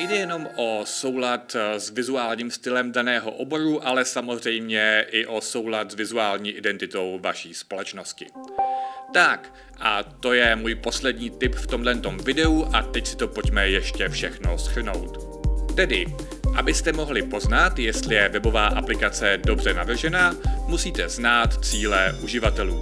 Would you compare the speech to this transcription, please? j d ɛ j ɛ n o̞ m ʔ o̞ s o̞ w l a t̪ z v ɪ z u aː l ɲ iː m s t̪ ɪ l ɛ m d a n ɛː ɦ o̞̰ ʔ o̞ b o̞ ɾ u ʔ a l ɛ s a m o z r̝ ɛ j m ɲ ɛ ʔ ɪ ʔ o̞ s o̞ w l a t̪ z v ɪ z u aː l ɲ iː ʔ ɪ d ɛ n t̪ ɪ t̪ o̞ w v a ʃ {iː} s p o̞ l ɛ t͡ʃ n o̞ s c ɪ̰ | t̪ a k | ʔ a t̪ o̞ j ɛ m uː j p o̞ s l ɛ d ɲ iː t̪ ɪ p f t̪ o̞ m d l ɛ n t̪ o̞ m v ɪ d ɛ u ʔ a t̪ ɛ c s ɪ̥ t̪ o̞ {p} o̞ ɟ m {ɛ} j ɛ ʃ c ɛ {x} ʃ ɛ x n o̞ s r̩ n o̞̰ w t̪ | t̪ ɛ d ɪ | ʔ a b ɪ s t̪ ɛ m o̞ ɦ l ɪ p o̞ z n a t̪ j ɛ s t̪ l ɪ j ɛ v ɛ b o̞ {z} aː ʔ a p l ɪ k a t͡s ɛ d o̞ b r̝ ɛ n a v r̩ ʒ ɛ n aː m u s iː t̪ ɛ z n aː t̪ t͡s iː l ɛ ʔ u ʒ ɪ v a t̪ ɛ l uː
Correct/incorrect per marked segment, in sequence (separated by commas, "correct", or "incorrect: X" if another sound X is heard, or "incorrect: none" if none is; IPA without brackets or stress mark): correct, correct, correct, incorrect: f, incorrect: v